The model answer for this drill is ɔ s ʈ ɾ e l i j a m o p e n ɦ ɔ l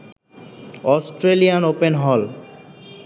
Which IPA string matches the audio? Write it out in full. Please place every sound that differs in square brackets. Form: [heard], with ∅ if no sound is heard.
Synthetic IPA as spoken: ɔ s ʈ ɾ e l i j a [n] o p e n ɦ ɔ l